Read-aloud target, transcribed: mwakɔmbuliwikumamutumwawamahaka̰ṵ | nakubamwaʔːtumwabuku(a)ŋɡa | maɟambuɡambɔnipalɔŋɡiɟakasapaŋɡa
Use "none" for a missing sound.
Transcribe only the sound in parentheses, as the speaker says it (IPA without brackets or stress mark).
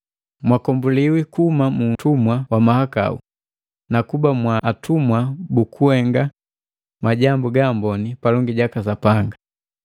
ɛ